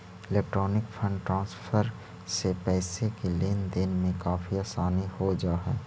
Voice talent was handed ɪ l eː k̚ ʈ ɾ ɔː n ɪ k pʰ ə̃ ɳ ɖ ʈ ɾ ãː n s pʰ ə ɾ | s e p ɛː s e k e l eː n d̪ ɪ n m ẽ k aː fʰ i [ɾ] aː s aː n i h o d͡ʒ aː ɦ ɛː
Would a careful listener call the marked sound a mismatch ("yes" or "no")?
yes